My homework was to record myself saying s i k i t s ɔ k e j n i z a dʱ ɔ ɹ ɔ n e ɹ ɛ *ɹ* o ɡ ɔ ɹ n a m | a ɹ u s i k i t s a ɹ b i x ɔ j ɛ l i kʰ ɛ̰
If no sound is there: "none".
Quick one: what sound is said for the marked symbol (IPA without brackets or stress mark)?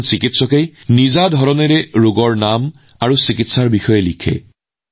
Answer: ɹ